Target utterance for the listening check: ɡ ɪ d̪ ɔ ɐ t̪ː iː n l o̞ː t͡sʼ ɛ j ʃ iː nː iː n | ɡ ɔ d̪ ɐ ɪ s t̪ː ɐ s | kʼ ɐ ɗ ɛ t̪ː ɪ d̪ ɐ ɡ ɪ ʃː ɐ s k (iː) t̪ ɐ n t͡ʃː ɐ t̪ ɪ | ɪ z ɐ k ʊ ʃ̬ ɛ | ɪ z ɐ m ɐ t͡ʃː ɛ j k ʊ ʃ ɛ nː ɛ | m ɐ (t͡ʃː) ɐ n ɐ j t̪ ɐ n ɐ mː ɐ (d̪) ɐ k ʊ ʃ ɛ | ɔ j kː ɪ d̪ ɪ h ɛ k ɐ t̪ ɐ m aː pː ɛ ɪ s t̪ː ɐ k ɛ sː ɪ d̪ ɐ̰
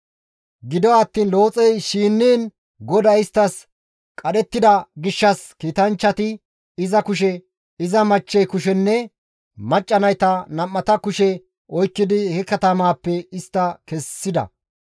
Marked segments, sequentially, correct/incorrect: correct, incorrect: t͡ʃʼː, incorrect: t̪

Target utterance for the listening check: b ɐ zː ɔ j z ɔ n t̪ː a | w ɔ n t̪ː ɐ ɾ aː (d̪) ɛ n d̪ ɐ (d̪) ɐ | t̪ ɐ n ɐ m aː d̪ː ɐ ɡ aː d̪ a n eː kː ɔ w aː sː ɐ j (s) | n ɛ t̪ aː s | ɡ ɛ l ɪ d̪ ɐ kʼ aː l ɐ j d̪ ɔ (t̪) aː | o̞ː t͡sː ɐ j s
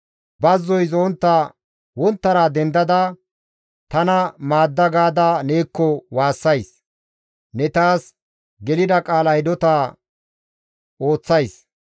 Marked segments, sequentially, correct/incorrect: correct, correct, correct, correct

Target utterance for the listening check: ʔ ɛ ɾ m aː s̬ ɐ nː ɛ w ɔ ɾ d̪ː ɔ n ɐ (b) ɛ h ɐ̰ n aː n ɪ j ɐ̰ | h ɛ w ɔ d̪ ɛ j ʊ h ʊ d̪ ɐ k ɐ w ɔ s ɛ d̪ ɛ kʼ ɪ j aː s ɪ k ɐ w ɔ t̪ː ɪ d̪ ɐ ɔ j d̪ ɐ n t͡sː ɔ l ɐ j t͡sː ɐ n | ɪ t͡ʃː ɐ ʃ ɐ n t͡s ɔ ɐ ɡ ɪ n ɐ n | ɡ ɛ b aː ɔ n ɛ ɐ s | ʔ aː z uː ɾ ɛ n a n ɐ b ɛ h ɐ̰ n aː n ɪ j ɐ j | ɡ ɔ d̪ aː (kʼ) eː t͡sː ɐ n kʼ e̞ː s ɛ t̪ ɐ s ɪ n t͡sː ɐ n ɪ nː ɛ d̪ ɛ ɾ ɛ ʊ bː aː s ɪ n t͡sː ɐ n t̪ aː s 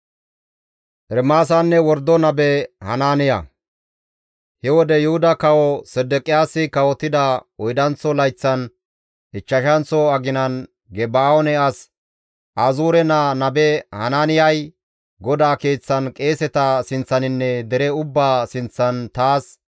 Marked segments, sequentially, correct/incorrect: correct, incorrect: k

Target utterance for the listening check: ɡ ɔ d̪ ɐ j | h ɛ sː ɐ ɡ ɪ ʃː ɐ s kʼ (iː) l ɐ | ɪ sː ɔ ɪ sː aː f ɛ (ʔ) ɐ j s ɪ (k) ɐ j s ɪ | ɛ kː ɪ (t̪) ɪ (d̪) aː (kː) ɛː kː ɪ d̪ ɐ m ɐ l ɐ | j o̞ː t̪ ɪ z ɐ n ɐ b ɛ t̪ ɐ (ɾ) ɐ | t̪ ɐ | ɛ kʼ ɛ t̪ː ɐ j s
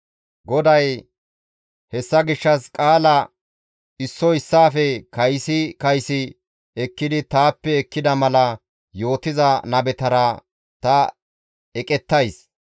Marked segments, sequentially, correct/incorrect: incorrect: aː, incorrect: k, correct, incorrect: d̪, incorrect: t̪, incorrect: pː, correct

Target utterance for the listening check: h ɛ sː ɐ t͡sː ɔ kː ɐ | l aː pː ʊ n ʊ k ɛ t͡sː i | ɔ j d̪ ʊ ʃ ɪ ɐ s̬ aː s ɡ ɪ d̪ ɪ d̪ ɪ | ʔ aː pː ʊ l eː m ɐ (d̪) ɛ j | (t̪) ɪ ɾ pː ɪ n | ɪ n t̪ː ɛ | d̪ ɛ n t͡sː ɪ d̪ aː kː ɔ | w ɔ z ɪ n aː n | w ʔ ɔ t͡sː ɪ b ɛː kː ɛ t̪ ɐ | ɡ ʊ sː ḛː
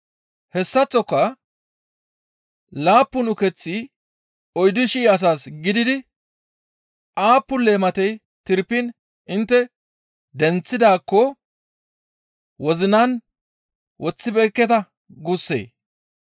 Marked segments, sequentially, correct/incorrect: incorrect: t̪, correct

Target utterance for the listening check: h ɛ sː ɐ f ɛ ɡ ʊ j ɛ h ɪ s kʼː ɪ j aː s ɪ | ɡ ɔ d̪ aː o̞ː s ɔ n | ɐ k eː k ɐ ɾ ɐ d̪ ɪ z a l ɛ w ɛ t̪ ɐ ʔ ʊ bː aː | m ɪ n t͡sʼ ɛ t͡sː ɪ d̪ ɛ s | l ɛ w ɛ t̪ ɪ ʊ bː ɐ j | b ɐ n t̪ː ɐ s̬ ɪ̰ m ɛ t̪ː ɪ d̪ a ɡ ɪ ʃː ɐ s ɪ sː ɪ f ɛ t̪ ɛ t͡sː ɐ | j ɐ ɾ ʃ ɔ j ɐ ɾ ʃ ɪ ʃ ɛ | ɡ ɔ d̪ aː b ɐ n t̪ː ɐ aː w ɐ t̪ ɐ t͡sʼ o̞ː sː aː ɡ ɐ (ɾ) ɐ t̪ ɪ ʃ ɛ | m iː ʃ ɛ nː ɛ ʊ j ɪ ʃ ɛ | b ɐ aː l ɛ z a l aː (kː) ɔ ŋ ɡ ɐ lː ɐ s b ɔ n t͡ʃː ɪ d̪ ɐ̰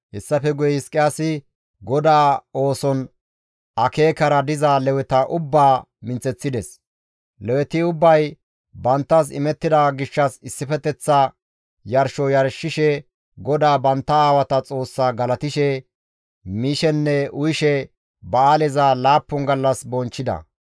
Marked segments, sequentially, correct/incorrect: incorrect: l, incorrect: pː

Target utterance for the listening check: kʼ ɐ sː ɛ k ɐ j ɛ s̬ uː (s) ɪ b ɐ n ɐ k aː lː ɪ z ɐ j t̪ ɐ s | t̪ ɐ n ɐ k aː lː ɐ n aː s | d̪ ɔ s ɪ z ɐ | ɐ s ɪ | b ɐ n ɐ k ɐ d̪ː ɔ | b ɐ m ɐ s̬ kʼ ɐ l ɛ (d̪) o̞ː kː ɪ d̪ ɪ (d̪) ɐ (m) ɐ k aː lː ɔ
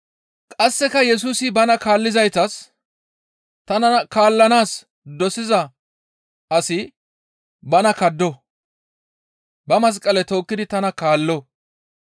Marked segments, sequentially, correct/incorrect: correct, incorrect: t̪, incorrect: t̪, incorrect: n

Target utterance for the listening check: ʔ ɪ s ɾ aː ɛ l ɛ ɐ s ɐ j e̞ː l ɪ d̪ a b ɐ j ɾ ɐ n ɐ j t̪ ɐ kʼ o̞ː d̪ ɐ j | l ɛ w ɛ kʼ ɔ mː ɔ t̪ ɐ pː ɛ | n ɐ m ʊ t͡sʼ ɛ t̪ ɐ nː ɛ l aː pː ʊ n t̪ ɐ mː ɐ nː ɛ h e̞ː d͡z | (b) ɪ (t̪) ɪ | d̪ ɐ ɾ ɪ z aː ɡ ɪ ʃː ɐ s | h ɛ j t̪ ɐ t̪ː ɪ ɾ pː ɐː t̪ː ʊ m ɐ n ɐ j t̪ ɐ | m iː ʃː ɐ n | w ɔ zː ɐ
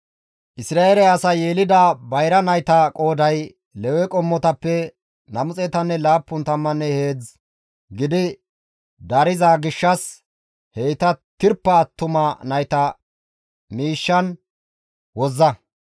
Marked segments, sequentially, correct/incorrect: incorrect: ɡ, incorrect: d̪

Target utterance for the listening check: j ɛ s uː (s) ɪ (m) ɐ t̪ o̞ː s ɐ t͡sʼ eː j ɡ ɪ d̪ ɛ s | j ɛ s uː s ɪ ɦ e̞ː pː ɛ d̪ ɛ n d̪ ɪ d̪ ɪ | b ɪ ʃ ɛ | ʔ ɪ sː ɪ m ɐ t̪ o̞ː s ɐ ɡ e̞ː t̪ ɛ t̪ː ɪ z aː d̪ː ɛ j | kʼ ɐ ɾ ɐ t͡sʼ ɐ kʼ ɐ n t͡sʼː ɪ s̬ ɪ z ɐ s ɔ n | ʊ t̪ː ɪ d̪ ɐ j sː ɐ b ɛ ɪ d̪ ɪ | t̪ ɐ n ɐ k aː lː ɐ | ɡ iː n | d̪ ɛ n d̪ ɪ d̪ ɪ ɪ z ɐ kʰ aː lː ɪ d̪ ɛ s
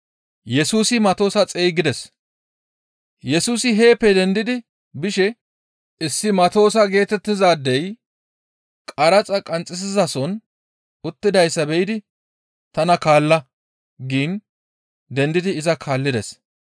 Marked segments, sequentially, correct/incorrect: correct, correct

